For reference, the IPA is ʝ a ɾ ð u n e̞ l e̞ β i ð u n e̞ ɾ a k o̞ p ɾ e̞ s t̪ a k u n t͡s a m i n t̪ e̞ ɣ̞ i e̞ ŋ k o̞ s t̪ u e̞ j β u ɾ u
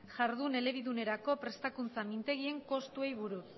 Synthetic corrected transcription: ʝ a ɾ ð u n e̞ l e̞ β i ð u n e̞ ɾ a k o̞ p ɾ e̞ s t̪ a k u n t͡s a m i n t̪ e̞ ɣ̞ i e̞ ŋ k o̞ s t̪ u e̞ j β u ɾ u